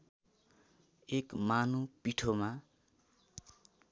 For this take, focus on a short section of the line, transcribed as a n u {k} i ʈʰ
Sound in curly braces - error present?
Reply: yes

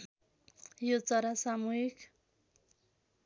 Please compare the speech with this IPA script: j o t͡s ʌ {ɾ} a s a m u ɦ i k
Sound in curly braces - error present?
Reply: no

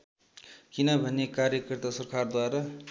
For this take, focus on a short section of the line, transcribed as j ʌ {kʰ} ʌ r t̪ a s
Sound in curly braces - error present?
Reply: yes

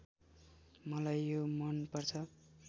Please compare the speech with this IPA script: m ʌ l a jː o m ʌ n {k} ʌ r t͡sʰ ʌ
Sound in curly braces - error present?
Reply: yes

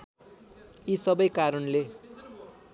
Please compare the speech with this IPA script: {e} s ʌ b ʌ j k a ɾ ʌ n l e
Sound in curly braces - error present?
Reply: yes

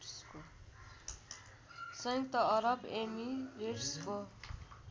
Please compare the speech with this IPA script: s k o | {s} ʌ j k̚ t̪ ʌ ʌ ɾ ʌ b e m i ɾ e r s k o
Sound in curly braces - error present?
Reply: no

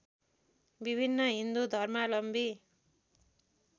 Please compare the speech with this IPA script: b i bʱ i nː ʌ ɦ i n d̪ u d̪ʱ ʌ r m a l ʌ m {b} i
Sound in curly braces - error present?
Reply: no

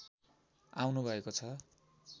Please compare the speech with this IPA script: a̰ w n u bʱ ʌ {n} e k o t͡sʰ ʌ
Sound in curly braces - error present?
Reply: yes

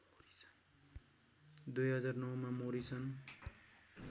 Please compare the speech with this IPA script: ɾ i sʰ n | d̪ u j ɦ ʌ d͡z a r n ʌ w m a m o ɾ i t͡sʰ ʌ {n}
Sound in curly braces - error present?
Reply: no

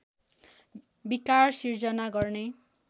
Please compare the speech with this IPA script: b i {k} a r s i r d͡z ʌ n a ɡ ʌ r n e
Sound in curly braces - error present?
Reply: no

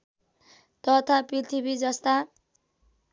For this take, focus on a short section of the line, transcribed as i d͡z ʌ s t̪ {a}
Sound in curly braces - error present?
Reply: no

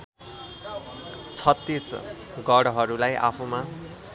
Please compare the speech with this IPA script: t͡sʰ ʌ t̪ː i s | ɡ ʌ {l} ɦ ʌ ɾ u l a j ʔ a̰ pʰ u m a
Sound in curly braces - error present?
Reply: yes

